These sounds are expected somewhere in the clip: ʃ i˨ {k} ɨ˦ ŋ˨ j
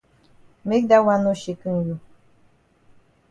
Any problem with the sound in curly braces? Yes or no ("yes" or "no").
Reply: no